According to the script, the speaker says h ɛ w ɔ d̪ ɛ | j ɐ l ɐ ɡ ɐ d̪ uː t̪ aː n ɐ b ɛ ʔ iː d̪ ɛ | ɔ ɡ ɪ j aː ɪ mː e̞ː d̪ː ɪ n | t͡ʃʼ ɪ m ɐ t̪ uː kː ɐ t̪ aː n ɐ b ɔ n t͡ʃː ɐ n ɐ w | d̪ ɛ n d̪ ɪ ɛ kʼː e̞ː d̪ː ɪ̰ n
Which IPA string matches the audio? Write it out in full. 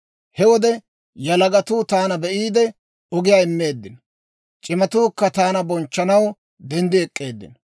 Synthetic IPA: h ɛ w ɔ d̪ ɛ | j ɐ l ɐ ɡ ɐ t̪ uː t̪ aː n ɐ b ɛ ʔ iː d̪ ɛ | ɔ ɡ ɪ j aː ɪ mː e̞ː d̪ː ɪ n | t͡ʃʼ ɪ m ɐ t̪ uː kː ɐ t̪ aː n ɐ b ɔ n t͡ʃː ɐ n ɐ w | d̪ ɛ n d̪ ɪ ɛ kʼː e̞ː d̪ː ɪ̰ n